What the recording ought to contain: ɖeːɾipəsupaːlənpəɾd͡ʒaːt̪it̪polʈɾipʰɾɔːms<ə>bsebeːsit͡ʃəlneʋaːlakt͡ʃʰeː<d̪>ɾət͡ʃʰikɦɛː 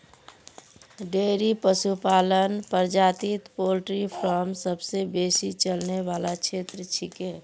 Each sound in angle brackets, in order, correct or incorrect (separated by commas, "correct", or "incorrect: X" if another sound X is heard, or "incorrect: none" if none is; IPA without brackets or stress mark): correct, incorrect: t̪